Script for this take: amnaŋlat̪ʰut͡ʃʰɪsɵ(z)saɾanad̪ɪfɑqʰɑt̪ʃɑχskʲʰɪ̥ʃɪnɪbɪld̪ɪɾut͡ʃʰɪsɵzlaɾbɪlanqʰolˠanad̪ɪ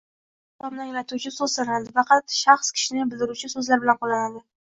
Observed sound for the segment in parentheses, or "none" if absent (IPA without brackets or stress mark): z